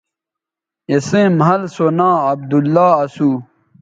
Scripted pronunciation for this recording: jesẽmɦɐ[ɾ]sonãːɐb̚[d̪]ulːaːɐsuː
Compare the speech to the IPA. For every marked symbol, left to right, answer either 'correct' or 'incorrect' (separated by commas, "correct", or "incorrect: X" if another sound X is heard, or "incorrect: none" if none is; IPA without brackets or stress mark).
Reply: incorrect: l, correct